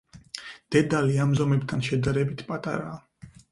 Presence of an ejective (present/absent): present